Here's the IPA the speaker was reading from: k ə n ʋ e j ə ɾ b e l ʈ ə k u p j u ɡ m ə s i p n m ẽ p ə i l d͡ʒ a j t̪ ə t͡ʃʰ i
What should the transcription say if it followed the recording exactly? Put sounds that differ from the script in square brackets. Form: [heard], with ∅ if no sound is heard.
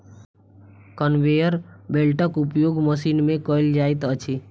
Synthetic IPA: k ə n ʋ e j ə ɾ b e l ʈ ə k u p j [o] ɡ m ə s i [∅] n m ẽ [k] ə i l d͡ʒ a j t̪ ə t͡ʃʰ i